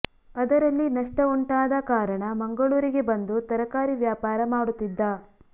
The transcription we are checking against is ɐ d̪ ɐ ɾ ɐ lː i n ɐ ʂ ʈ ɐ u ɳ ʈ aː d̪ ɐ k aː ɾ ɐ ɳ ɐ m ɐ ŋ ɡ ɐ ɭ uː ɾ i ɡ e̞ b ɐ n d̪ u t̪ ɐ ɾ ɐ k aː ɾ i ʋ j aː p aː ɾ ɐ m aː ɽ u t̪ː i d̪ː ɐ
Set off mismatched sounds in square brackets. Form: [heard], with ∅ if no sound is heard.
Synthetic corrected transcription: ɐ d̪ ɐ ɾ ɐ lː i n ɐ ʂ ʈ ɐ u ɳ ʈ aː d̪ ɐ k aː ɾ ɐ ɳ ɐ m ɐ ŋ ɡ ɐ ɭ uː ɾ i ɡ e̞ b ɐ n d̪ u t̪ ɐ ɾ ɐ k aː ɾ i ʋ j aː p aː ɾ ɐ m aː ɽ u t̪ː i d̪ː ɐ